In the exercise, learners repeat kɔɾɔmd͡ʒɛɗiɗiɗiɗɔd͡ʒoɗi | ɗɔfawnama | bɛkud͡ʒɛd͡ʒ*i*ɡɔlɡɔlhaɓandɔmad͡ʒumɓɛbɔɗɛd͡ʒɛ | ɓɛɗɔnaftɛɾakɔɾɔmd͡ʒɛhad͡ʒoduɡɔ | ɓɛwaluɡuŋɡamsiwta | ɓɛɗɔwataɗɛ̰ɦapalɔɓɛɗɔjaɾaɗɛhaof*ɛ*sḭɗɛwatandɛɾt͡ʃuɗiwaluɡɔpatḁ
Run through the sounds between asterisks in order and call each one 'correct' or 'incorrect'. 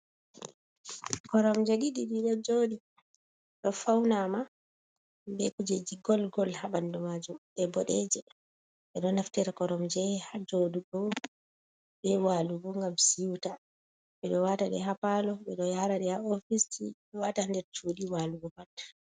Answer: correct, incorrect: i

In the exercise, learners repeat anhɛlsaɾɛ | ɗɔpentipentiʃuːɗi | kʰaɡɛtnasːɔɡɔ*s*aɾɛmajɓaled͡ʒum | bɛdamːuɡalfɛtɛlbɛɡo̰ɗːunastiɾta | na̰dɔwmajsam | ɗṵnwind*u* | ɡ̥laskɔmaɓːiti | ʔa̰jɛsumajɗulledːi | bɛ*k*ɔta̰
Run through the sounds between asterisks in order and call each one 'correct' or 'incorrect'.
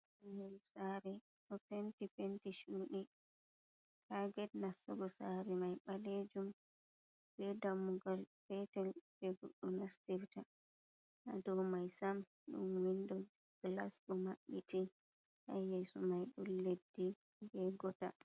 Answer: correct, incorrect: ɔ, incorrect: ɡ

